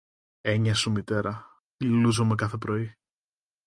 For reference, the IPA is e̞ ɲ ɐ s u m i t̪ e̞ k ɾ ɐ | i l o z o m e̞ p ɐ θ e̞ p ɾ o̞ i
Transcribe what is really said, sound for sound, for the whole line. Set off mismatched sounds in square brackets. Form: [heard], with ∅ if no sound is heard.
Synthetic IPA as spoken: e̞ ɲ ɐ s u m i t̪ e̞ [∅] ɾ ɐ | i l [u] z o m e̞ [k] ɐ θ e̞ p ɾ o̞ i

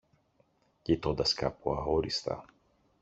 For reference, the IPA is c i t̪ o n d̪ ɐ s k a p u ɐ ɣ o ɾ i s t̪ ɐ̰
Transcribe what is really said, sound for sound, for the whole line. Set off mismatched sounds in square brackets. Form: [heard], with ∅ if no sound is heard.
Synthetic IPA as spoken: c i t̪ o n d̪ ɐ s k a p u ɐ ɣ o ɾ i s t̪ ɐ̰

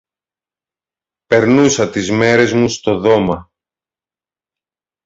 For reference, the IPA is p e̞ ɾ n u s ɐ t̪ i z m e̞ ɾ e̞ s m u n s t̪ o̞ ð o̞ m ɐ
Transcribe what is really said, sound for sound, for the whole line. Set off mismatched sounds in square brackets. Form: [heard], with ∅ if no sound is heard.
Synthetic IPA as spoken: p e̞ ɾ n u s ɐ t̪ i z m e̞ ɾ e̞ [z] m u [∅] s t̪ o̞ ð o̞ m ɐ

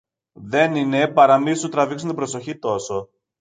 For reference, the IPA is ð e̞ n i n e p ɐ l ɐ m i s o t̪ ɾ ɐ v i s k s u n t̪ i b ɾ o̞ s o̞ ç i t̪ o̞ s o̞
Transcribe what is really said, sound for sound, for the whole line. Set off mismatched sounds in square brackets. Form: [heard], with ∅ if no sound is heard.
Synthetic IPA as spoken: ð e̞ n i n e p ɐ [ɾ] ɐ m i s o t̪ ɾ ɐ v i [∅] k s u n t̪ i b ɾ o̞ s o̞ ç i t̪ o̞ s o̞

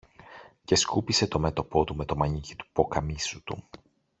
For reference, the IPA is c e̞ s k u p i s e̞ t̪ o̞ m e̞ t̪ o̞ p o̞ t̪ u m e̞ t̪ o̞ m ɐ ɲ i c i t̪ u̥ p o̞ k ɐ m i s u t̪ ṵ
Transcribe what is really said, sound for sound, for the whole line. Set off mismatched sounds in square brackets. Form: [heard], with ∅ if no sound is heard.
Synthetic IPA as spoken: c e̞ s k u p i s e̞ t̪ o̞ m e̞ t̪ o̞ p o̞ t̪ u m e̞ t̪ o̞ m ɐ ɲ i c i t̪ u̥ p o̞ k ɐ m i s u t̪ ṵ

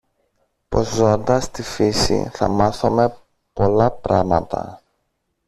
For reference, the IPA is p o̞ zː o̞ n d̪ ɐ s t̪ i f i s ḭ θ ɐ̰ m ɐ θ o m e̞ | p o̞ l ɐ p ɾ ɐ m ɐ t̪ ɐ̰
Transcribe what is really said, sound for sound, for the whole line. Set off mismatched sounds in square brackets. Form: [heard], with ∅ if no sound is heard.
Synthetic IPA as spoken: p o̞ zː o̞ n d̪ ɐ s t̪ i f i s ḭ θ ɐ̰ m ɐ θ o m e̞ | p o̞ l ɐ p ɾ ɐ m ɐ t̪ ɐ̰

